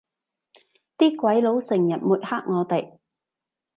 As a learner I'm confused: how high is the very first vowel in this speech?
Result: high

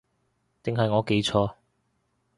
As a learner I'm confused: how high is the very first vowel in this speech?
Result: high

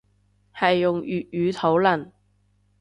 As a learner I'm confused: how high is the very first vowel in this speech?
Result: low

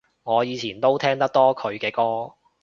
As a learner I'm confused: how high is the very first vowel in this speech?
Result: mid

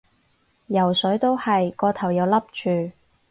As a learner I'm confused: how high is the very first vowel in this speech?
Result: low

